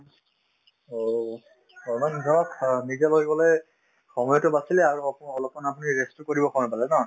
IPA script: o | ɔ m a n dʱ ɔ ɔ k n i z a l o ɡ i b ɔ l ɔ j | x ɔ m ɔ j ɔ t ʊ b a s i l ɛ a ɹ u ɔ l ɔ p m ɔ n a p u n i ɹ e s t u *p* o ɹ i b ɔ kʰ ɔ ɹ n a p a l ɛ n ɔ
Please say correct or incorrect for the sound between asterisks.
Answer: incorrect